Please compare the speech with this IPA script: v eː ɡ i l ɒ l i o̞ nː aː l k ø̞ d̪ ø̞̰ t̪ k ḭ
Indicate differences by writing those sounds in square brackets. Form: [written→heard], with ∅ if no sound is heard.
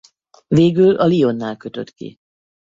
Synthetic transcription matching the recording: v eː ɡ [i→y] l ɒ l i o̞ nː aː l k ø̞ [d̪→t̪] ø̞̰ t̪ k ḭ